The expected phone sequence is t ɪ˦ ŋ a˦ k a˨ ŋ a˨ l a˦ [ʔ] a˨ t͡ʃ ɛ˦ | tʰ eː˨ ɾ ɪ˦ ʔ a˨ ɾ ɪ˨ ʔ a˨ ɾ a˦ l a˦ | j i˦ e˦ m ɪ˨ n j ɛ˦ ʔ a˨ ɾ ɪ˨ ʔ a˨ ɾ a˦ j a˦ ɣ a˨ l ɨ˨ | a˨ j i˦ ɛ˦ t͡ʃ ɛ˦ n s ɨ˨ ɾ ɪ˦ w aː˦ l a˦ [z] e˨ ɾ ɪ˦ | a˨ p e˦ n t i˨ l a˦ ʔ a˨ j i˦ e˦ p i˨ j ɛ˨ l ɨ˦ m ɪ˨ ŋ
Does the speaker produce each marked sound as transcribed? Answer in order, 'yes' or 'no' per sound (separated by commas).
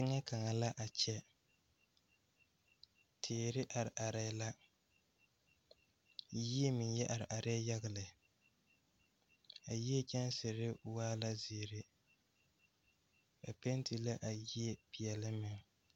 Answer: yes, yes